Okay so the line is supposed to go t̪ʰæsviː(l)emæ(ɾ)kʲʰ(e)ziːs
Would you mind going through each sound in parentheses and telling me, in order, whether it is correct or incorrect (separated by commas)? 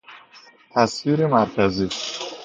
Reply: incorrect, correct, incorrect